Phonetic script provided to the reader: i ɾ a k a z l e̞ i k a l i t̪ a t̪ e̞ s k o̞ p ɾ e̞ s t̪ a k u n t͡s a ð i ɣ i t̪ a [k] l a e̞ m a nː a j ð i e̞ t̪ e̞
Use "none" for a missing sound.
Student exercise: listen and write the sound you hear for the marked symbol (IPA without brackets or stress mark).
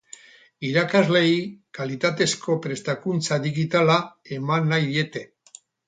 none